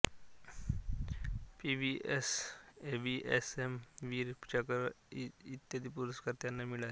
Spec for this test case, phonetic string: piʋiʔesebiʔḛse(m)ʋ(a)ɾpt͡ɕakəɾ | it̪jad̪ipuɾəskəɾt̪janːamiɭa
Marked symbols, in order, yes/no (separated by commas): yes, no